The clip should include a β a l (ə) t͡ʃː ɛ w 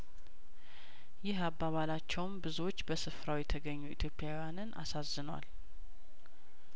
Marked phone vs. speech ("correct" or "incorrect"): incorrect